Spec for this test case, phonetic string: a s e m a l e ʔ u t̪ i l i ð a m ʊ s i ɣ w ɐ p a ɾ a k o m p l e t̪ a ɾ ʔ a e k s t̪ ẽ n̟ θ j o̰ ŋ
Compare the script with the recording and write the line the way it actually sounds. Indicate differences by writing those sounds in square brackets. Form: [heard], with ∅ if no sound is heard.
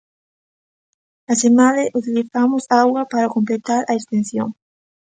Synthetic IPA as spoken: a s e m a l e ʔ u t̪ i l i [θ] a m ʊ s [a] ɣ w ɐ p a ɾ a k o m p l e t̪ a ɾ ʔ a e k s t̪ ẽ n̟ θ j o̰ ŋ